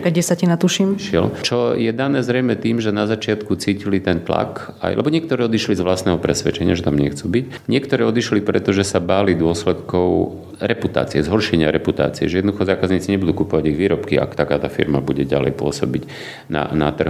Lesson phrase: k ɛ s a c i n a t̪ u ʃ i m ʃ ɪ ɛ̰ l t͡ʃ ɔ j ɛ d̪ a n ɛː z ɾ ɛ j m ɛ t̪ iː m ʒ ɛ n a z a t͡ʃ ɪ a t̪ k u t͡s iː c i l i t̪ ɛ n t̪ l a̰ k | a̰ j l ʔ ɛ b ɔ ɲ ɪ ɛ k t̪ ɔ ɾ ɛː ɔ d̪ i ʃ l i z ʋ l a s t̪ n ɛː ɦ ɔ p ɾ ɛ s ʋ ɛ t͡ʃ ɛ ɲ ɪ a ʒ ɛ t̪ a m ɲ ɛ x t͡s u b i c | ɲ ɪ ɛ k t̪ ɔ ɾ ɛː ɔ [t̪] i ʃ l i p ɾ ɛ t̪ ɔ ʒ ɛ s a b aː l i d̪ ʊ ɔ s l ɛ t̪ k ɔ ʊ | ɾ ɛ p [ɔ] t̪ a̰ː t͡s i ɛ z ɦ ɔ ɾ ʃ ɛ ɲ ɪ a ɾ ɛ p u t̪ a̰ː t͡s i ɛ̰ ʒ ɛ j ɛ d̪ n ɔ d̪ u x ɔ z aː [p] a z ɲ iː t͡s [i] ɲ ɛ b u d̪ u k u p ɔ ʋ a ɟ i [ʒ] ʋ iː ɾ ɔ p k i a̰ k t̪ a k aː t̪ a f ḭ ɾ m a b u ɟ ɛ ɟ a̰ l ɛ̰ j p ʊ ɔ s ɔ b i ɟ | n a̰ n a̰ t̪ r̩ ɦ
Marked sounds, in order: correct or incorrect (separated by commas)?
incorrect, incorrect, incorrect, correct, incorrect